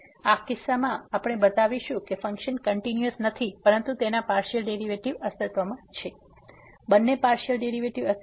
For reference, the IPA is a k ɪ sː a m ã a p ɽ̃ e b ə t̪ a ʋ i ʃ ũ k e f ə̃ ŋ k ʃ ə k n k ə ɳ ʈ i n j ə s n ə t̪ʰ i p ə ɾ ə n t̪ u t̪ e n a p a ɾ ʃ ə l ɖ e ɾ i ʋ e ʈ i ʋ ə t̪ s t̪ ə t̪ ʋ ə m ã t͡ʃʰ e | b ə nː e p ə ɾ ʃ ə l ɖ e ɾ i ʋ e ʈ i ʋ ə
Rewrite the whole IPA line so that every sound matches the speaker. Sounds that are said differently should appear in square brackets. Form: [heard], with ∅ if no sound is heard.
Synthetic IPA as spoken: a k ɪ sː a m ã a p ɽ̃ e b ə t̪ a ʋ i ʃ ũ k e f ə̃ ŋ k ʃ ə [∅] n k ə ɳ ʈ i n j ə s n ə t̪ʰ i p ə ɾ ə n t̪ u t̪ e n a p a ɾ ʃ ə l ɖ e ɾ i ʋ e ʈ i ʋ ə [∅] s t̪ ə t̪ ʋ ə m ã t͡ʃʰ e | b ə nː e p [a] ɾ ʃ ə l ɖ e ɾ i ʋ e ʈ i ʋ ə